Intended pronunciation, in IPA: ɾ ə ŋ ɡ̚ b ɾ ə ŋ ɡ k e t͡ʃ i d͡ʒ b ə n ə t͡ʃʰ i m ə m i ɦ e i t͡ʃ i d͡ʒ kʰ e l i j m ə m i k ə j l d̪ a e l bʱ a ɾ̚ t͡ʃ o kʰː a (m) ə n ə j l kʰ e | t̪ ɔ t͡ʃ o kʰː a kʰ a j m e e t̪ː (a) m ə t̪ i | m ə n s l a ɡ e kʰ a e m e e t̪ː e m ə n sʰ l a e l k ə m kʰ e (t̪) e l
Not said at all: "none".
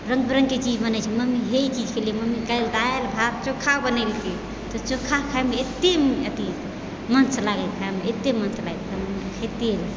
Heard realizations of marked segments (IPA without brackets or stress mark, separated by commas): b, e, t̪